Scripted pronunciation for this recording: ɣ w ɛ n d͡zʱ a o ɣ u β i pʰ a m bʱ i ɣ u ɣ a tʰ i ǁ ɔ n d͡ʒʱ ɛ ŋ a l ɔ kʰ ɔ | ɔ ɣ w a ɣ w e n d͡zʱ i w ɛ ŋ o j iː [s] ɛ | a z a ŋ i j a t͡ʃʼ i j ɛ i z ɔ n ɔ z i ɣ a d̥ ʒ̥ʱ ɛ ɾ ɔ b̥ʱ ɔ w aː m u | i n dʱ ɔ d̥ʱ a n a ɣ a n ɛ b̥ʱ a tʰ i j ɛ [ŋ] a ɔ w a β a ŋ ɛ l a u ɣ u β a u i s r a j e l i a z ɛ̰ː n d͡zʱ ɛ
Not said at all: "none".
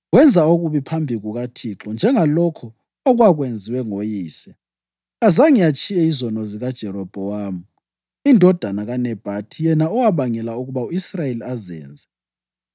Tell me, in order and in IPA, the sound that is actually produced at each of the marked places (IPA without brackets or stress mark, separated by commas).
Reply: s, n